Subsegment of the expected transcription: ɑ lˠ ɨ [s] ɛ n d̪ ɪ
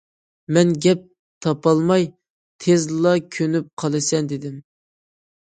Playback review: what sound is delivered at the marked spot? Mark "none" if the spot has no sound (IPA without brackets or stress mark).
s